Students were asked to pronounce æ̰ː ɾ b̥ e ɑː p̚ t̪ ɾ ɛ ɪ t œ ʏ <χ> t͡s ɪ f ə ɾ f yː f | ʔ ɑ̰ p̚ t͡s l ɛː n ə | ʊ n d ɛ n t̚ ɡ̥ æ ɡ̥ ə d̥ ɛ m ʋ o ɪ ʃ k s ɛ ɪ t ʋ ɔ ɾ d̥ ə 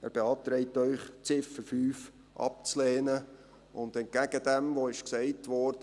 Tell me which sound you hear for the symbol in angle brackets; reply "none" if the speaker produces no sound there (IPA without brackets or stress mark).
χ